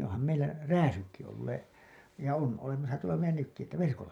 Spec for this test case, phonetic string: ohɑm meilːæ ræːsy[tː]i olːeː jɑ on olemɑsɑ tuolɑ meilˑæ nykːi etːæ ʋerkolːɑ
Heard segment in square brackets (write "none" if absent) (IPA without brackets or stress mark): kː